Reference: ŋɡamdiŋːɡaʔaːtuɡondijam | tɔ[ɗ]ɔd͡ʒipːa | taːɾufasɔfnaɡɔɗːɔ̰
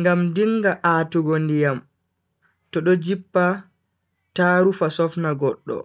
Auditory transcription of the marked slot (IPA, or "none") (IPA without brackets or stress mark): ɗ